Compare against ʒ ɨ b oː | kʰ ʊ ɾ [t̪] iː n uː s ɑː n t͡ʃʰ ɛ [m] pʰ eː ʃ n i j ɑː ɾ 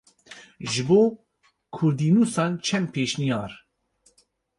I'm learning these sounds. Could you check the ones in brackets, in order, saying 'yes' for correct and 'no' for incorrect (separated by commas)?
no, yes